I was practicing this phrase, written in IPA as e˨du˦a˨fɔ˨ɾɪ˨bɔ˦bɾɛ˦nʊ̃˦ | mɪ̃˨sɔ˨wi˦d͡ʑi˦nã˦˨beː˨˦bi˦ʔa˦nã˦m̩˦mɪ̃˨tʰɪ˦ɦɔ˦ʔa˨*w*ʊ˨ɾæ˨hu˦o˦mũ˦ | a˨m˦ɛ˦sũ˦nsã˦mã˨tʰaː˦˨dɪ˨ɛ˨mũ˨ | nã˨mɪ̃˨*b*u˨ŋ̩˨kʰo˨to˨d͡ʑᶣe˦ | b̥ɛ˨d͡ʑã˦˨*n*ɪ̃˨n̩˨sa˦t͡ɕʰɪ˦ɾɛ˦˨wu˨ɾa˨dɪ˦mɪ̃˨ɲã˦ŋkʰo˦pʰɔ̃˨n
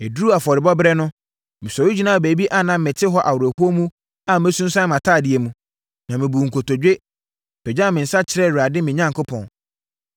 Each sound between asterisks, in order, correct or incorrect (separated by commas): correct, correct, incorrect